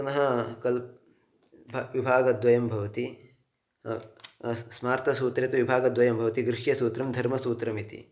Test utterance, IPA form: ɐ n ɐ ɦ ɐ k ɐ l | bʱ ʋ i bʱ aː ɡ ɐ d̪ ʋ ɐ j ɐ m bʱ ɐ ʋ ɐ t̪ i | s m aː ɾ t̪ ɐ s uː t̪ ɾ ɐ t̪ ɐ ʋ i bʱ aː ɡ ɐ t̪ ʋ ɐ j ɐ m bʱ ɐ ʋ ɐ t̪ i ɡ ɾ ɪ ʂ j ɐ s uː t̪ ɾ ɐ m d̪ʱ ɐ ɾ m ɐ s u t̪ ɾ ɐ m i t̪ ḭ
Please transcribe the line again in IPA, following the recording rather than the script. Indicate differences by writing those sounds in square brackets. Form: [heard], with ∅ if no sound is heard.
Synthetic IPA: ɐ n ɐ ɦ ɐ k ɐ l | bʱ ʋ i bʱ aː ɡ ɐ d̪ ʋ ɐ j ɐ m bʱ ɐ ʋ ɐ t̪ i | s m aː ɾ t̪ ɐ s uː t̪ ɾ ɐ t̪ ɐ ʋ i bʱ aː ɡ ɐ [d̪] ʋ ɐ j ɐ m bʱ ɐ ʋ ɐ t̪ i ɡ ɾ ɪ ʂ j ɐ s uː t̪ ɾ ɐ m d̪ʱ ɐ ɾ m ɐ s [uː] t̪ ɾ ɐ m i t̪ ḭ